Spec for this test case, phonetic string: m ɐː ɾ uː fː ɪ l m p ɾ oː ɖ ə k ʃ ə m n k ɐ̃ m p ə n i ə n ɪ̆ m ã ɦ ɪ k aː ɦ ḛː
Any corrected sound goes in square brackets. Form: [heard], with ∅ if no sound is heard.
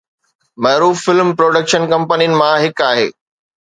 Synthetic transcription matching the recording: m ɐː ɾ uː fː ɪ l m p ɾ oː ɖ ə k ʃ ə [∅] n k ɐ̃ m p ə n i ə n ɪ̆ m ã ɦ ɪ k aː ɦ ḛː